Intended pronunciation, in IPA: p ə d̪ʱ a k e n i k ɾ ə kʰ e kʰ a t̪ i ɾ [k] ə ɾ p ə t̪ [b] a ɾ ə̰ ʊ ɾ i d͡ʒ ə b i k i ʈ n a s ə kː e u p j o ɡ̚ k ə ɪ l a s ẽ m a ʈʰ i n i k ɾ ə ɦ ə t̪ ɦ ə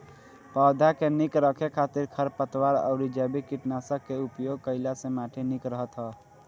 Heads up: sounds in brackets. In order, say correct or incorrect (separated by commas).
incorrect, incorrect